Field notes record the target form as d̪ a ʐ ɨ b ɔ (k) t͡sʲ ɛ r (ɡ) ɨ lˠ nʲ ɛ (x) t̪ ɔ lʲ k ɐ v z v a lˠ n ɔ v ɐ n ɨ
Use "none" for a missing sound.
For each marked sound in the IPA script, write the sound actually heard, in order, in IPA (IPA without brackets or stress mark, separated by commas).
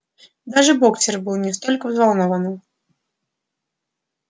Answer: k, b, s